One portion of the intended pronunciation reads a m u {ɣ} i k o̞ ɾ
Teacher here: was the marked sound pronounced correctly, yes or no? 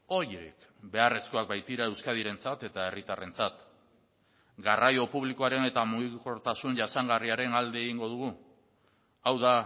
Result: yes